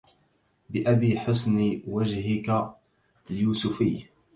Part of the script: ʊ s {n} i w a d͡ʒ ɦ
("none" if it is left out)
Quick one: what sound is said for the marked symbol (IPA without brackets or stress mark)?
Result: n